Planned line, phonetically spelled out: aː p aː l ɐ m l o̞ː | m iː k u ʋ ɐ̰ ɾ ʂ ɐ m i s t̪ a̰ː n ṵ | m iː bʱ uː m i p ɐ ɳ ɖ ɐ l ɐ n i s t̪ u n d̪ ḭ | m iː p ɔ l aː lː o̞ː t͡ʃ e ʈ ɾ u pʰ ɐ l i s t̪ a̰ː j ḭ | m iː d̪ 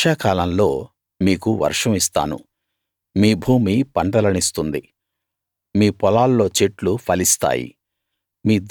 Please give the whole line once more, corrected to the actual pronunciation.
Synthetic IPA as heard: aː k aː l ɐ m l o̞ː | m iː k u ʋ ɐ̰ ɾ ʂ ɐ m i s t̪ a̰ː n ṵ | m iː bʱ uː m i p ɐ ɳ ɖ ɐ l ɐ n i s t̪ u n d̪ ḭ | m iː p ɔ l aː lː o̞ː t͡ʃ e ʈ l u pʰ ɐ l i s t̪ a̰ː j ḭ | m iː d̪

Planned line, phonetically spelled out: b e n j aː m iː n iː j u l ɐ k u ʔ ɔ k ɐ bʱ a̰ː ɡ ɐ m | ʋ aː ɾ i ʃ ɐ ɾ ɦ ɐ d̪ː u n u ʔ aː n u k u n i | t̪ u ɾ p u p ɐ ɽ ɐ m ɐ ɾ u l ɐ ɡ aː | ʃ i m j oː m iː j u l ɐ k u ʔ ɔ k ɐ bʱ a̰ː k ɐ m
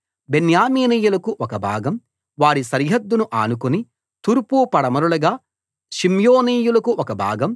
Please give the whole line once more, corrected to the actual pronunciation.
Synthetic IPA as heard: b e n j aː m iː n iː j u l ɐ k u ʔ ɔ k ɐ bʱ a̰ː ɡ ɐ m | ʋ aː ɾ i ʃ ɐ ɾ ɦ ɐ d̪ː u n u ʔ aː n u k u n i | t̪ u ɾ p u p ɐ ɽ ɐ m ɐ ɾ u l ɐ ɡ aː | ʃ i m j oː n iː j u l ɐ k u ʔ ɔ k ɐ bʱ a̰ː ɡ ɐ m

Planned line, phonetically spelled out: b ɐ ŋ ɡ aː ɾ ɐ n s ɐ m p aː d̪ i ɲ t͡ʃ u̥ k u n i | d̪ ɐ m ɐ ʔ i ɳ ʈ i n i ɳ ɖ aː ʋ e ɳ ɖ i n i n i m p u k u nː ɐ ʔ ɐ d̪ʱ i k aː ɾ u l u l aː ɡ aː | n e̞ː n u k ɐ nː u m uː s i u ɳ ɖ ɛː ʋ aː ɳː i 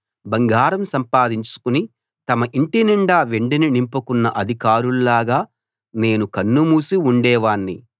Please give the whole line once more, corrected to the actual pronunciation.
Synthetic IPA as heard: b ɐ ŋ ɡ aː ɾ ɐ m s ɐ m p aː d̪ i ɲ t͡ʃ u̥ k u n i | t̪ ɐ m ɐ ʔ i ɳ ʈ i n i ɳ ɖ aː ʋ e ɳ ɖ i n i n i m p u k u nː ɐ ʔ ɐ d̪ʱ i k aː ɾ u l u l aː ɡ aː | n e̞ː n u k ɐ nː u m uː s i u ɳ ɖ ɛː ʋ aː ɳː i

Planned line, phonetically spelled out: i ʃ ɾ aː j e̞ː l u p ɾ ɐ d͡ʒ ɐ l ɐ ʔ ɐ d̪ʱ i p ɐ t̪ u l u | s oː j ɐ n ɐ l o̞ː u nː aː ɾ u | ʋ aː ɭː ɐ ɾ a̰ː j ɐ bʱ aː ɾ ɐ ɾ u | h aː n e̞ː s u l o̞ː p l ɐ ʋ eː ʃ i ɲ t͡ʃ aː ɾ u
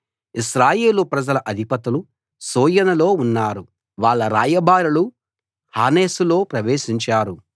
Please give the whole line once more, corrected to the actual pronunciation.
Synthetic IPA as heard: i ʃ ɾ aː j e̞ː l u p ɾ ɐ d͡ʒ ɐ l ɐ ʔ ɐ d̪ʱ i p ɐ t̪ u l u | s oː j ɐ n ɐ l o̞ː u nː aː ɾ u | ʋ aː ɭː ɐ ɾ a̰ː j ɐ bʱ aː ɾ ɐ l u | h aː n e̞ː s u l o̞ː p ɾ ɐ ʋ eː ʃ i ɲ t͡ʃ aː ɾ u

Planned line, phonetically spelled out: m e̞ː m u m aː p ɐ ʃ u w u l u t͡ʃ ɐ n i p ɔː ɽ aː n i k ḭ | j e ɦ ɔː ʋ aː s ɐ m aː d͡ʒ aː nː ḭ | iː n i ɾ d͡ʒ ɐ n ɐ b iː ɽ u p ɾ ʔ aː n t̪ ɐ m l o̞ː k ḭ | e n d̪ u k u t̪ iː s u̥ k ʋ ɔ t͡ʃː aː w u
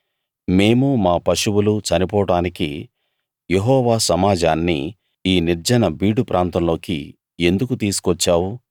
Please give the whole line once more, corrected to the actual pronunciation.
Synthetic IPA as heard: m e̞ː m u m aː p ɐ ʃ u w u l u t͡ʃ ɐ n i p ɔː ɽ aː n i k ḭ | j e ɦ ɔː ʋ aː s ɐ m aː d͡ʒ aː nː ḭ | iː n i ɾ d͡ʒ ɐ n ɐ b iː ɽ u p ɾ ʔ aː n t̪ ɐ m l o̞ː k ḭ | e n d̪ u k u t̪ iː s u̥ k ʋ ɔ t͡ʃː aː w u

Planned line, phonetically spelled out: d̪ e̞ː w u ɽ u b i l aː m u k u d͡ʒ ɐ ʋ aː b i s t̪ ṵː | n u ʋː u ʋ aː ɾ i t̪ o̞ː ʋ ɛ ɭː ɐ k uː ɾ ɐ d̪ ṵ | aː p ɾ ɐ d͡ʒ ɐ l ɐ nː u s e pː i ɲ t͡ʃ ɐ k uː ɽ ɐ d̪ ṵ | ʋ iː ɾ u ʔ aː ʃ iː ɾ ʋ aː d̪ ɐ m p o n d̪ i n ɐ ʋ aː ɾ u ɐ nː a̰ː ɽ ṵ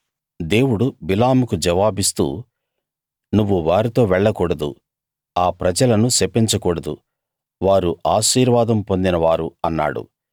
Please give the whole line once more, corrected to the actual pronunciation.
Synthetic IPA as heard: d̪ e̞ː w u ɽ u b i l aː m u k u d͡ʒ ɐ ʋ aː b i s t̪ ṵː | n u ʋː u ʋ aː ɾ i t̪ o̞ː ʋ ɛ ɭː ɐ k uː ɽ ɐ d̪ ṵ | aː p ɾ ɐ d͡ʒ ɐ l ɐ n u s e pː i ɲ t͡ʃ ɐ k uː ɽ ɐ d̪ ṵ | ʋ aː ɾ u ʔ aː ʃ iː ɾ ʋ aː d̪ ɐ m p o n d̪ i n ɐ ʋ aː ɾ u ɐ nː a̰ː ɽ ṵ

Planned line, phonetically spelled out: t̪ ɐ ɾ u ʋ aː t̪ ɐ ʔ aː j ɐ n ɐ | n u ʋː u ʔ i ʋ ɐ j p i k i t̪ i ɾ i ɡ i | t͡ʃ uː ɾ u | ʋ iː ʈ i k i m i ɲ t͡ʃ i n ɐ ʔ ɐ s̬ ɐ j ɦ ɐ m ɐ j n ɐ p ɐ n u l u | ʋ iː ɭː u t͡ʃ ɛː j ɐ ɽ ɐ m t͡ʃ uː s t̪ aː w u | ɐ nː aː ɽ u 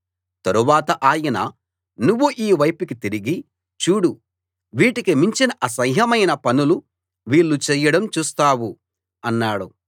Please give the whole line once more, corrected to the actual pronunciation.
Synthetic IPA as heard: t̪ ɐ ɾ u ʋ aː t̪ ɐ ʔ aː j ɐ n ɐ | n u ʋː u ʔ iː ʋ ɐ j p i k i t̪ i ɾ i ɡ i | t͡ʃ uː ɽ u | ʋ iː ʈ i k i m i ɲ t͡ʃ i n ɐ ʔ ɐ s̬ ɐ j ɦ ɐ m ɐ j n ɐ p ɐ n u l u | ʋ iː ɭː u t͡ʃ ɛː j ɐ ɽ ɐ m t͡ʃ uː s t̪ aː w u | ɐ nː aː ɽ u

